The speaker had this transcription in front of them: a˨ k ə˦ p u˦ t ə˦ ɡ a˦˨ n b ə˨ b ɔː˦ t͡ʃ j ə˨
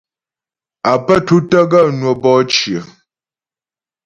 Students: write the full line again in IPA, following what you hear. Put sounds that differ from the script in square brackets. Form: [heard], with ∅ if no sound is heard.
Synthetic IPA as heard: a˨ [p] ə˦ [t] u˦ t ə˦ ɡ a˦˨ n [w] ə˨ b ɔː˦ t͡ʃ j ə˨